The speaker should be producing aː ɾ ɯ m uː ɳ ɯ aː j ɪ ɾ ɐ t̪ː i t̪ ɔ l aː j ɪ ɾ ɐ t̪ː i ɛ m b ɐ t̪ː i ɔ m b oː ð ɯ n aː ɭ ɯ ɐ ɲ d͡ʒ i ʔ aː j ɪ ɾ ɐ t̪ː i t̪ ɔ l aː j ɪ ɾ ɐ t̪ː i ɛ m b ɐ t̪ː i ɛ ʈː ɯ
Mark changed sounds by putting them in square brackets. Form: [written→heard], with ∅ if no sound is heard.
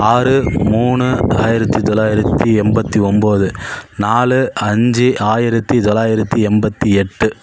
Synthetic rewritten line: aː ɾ ɯ m uː ɳ ɯ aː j ɪ ɾ ɐ t̪ː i t̪ ɔ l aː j ɪ ɾ ɐ t̪ː i ɛ m b ɐ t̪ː i ɔ m b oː ð ɯ n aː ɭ ɯ ɐ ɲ d͡ʒ i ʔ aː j ɪ ɾ ɐ t̪ː i t̪ ɔ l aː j ɪ ɾ ɐ t̪ː i ɛ m b ɐ t̪ː i ɛ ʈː ɯ